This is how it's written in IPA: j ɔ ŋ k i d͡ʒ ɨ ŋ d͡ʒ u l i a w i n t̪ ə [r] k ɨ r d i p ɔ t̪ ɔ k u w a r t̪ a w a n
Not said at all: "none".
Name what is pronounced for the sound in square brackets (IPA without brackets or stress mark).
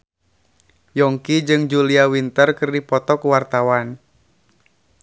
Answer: r